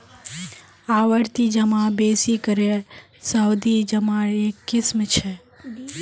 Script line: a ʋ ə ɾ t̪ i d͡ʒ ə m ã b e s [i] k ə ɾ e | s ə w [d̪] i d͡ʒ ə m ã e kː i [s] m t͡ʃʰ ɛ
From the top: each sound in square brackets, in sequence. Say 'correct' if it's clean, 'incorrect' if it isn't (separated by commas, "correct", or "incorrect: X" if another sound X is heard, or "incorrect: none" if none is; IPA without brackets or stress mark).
correct, correct, correct